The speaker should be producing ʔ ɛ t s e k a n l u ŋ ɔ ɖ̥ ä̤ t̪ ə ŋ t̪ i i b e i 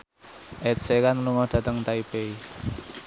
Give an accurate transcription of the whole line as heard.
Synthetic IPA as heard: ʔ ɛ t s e k a n l u ŋ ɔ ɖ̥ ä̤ t̪ ə ŋ t̪ a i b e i